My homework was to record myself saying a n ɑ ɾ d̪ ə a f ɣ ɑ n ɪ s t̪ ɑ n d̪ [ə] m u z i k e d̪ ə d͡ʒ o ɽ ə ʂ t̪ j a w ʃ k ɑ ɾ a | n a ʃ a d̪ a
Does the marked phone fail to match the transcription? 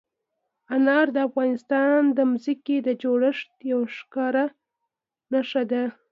no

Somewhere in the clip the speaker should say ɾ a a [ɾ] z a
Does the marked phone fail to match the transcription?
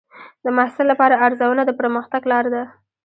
no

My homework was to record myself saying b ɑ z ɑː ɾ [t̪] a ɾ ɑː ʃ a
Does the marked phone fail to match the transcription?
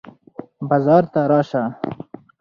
no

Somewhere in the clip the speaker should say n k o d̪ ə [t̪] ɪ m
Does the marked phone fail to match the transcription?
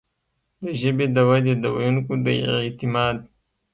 no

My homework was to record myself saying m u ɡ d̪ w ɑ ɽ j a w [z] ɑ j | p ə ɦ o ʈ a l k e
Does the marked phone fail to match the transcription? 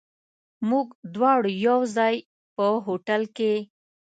no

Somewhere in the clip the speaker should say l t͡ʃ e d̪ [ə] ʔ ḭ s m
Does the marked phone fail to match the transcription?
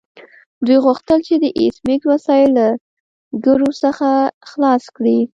no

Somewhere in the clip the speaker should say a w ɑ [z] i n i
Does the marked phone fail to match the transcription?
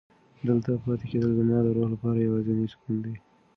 no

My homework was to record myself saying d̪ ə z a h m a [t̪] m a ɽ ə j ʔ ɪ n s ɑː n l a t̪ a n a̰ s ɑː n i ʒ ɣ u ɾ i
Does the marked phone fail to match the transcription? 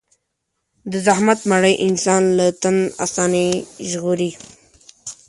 no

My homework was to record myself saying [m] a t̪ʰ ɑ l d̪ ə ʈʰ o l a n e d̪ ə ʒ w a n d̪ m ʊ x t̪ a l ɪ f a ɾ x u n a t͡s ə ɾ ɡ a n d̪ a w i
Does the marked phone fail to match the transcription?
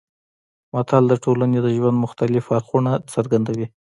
no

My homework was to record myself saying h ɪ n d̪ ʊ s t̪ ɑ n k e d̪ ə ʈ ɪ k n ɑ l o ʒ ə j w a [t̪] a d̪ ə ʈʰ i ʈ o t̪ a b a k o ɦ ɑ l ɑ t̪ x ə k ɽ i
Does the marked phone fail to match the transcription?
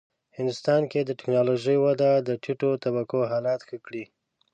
yes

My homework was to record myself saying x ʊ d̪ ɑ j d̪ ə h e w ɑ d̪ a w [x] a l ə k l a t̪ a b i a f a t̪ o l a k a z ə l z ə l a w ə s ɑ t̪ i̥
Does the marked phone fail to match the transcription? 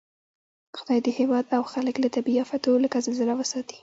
no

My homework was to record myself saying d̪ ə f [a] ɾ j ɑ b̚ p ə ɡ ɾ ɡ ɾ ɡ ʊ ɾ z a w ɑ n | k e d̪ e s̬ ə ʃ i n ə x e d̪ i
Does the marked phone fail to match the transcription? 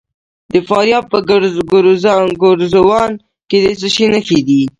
yes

